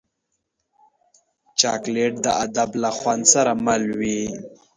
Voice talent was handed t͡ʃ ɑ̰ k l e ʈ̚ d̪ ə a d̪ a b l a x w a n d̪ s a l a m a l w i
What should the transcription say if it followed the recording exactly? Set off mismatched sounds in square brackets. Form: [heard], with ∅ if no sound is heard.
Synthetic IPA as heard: t͡ʃ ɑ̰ k l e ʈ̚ d̪ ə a d̪ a b l a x w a n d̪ s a [ɾ] a m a l w i

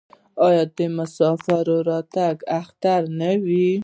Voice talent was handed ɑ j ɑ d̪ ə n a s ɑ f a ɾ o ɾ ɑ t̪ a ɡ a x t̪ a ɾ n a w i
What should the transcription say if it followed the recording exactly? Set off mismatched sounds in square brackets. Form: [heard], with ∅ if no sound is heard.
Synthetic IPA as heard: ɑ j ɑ d̪ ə [m] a s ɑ f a ɾ o ɾ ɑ t̪ a ɡ a x t̪ a ɾ n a w i

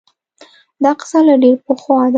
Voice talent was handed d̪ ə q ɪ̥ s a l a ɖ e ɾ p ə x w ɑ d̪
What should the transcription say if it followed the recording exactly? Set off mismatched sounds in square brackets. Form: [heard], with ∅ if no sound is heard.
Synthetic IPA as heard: d̪ [ɑ] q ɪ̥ s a l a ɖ e ɾ p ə x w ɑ d̪

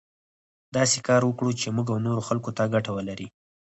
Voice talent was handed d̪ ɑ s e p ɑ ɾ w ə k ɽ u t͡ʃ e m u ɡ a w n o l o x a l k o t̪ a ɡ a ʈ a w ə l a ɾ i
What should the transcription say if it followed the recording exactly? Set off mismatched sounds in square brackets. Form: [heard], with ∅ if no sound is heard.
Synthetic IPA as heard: d̪ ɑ s e [k] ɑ ɾ w ə k ɽ u t͡ʃ e m u ɡ a w n o [ɾ] o x a l k o t̪ a ɡ a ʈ a w ə l a ɾ i

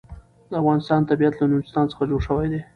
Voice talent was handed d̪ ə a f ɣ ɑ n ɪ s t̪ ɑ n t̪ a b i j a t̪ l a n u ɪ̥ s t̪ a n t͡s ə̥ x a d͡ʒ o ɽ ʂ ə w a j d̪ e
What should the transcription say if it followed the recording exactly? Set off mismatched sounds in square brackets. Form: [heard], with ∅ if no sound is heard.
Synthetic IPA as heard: d̪ ə a f ɣ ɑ n ɪ s t̪ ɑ n t̪ a b i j a t̪ l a n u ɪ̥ s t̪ [ɑ] n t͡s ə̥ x a d͡ʒ o ɽ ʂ ə w a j d̪ e

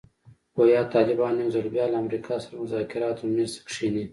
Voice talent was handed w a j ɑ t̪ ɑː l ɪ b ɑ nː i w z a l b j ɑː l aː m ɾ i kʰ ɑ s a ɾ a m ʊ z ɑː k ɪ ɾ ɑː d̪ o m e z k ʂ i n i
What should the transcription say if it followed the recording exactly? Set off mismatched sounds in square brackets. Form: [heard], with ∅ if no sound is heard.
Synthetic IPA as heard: w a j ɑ t̪ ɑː l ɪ b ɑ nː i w z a l b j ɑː l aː m ɾ i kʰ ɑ s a ɾ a m ʊ z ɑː k ɪ ɾ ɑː [t̪] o m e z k ʂ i n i

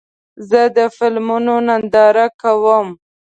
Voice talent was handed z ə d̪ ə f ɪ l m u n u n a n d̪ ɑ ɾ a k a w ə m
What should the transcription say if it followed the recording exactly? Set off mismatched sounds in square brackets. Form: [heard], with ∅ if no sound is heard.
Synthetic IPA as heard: z ə d̪ ə f ɪ l m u n [o] n a n d̪ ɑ ɾ a k a w ə m

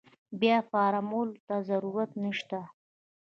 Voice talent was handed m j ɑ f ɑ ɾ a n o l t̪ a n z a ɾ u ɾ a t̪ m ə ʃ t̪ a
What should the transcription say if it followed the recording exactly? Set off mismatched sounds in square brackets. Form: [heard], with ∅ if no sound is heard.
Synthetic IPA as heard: [b] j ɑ f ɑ ɾ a [m] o l t̪ a [∅] z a ɾ u ɾ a t̪ [n] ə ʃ t̪ a

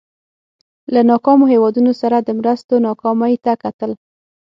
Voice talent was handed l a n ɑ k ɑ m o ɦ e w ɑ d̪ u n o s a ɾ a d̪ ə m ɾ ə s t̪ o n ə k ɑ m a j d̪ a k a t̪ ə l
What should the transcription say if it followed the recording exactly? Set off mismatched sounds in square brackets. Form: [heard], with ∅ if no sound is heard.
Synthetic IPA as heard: l a n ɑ k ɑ m o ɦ e w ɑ d̪ u n o s a ɾ a d̪ ə m ɾ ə s t̪ o n [ɑ] k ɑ m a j [t̪] a k a t̪ ə l

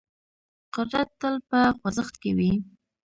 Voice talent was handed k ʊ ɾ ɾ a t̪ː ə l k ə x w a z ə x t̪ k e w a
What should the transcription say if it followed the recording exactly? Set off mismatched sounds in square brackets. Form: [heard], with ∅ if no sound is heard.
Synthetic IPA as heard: [q] ʊ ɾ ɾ a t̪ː ə l [p] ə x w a z ə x t̪ k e w [i]

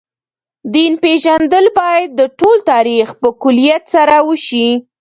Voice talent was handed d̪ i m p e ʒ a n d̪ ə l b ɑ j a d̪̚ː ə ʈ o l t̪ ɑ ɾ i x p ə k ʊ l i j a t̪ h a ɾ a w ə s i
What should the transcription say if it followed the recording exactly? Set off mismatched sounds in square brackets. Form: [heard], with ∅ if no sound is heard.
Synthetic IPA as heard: d̪ i [n] p e ʒ a n d̪ ə l b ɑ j a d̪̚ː ə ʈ o l t̪ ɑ ɾ i x p ə k ʊ l i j a t̪ [s] a ɾ a w ə [ʃ] i

